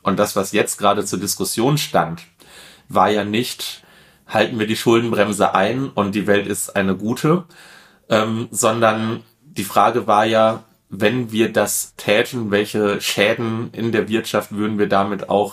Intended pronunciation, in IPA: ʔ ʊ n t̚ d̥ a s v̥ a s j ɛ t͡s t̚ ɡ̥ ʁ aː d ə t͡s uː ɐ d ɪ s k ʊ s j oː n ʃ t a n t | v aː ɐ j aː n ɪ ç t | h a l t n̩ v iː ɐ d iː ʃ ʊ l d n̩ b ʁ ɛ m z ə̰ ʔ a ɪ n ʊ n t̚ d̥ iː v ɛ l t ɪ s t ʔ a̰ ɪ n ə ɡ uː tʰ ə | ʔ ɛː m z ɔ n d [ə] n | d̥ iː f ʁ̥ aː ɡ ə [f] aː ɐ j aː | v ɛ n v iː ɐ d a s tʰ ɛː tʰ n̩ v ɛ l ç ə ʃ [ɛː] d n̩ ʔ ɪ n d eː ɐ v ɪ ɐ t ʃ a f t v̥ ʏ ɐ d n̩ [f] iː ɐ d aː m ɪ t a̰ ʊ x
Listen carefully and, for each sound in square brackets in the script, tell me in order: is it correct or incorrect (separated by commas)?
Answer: incorrect, incorrect, correct, incorrect